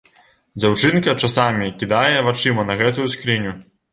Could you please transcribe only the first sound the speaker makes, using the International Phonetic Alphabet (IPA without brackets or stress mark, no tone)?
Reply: d͡zʲ